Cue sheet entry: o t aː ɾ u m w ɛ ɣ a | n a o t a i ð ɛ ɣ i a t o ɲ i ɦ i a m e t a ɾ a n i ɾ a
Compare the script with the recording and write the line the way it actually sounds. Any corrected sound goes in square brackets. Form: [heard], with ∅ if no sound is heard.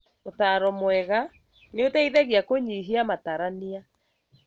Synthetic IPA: o t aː ɾ [ɔ] m w ɛ ɣ a | n [e] o t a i ð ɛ ɣ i a [k] o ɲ i ɦ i a m [a] t a ɾ a n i [∅] a